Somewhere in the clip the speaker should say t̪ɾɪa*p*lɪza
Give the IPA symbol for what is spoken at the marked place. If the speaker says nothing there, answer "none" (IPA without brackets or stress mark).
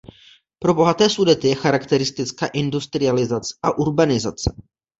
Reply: none